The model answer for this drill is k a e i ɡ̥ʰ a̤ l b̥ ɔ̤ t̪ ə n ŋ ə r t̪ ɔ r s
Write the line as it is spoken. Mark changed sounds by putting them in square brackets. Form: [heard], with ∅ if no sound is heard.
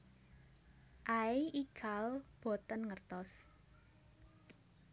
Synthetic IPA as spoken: [ʔ] a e i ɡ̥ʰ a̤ l b̥ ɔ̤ t̪ ə n ŋ ə r t̪ ɔ [∅] s

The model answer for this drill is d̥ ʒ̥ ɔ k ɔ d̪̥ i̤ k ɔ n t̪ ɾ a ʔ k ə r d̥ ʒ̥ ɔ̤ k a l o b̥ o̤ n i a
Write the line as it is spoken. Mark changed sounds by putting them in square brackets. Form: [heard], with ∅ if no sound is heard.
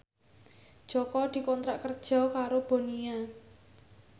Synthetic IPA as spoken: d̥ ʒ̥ ɔ k ɔ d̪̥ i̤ k ɔ n t̪ ɾ a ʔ k ə r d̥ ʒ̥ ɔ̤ k a [ɾ] o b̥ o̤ n i a

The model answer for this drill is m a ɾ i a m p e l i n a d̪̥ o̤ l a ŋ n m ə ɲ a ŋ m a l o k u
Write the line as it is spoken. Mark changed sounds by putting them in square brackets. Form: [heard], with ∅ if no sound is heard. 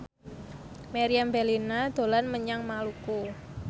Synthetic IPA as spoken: m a ɾ i a m [b] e l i n a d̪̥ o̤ l a [∅] n m ə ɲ a ŋ m a l [u] k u

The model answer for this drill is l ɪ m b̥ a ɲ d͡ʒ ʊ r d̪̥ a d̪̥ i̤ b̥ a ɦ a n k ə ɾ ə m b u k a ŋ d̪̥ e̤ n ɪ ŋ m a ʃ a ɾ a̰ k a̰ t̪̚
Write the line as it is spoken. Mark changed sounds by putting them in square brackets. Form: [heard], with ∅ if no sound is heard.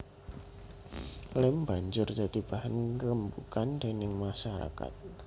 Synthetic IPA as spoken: l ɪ m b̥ a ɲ d͡ʒ ʊ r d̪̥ a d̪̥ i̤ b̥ a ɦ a n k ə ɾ ə m b u k a [n] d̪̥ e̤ n ɪ ŋ m a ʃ a ɾ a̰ k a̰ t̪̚

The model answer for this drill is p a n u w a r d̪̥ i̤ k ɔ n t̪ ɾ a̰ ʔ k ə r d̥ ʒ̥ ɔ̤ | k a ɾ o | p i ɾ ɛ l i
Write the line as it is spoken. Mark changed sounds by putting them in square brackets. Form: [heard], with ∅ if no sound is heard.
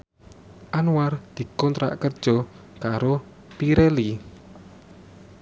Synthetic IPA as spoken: [ʔ] a n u w a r d̪̥ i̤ k ɔ n t̪ ɾ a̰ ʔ k ə r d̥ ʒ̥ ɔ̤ | k a ɾ o | p i ɾ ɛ l i

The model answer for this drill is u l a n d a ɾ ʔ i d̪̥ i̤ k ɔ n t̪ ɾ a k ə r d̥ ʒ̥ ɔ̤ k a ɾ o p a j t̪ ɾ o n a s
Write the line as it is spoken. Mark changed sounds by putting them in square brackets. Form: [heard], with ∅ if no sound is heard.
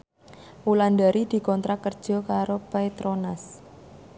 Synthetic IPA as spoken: u l a n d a ɾ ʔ i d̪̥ i̤ k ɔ n t̪ ɾ a k ə r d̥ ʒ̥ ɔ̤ k a ɾ o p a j t̪ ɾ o n a s

